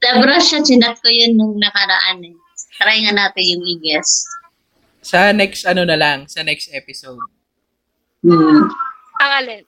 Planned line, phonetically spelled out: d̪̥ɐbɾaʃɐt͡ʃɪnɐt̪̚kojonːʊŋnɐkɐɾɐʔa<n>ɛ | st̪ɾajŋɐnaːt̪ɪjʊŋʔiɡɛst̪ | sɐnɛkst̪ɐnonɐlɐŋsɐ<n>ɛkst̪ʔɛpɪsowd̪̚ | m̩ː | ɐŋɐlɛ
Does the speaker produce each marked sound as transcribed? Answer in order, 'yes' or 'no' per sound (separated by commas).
yes, yes